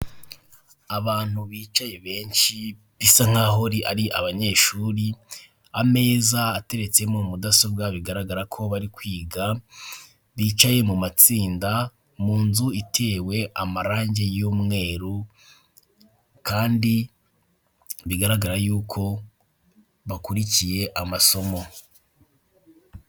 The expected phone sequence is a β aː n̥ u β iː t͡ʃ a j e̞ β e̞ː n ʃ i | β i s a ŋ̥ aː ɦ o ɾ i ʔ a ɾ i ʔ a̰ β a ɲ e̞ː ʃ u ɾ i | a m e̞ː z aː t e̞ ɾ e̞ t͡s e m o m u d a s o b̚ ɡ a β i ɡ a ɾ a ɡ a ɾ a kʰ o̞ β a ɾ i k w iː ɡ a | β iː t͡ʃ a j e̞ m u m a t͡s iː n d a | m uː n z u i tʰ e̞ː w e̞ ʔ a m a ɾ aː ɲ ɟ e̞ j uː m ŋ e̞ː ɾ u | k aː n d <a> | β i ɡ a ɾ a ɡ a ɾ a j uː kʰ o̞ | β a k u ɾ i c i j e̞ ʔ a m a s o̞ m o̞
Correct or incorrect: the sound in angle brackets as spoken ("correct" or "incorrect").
incorrect